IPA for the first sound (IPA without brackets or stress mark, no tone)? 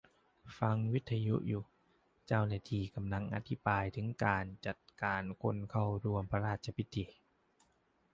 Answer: f